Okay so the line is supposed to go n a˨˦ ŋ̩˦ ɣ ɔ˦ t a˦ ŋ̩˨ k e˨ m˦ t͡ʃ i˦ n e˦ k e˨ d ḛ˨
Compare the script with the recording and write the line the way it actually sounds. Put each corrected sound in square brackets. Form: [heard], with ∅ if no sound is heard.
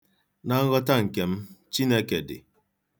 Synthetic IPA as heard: n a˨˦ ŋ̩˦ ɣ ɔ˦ t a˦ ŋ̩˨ k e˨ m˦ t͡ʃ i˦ n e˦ k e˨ d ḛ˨